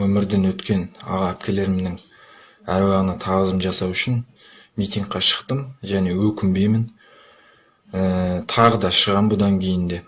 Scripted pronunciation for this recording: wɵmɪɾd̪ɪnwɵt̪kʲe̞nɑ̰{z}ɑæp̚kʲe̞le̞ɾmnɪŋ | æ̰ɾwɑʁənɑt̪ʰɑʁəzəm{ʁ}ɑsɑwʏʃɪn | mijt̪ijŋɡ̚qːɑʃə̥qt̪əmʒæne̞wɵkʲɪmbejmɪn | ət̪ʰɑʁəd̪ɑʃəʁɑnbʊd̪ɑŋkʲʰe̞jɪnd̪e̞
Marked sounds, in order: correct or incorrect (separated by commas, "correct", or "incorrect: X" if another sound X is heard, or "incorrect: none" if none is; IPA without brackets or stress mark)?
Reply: incorrect: ʁ, incorrect: ʒ